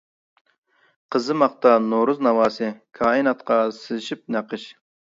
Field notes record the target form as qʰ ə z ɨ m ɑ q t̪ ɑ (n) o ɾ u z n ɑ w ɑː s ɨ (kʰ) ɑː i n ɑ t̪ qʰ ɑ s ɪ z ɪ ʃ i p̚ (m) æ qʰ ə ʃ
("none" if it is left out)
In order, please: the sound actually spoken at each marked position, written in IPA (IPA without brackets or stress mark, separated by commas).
n, kʰ, n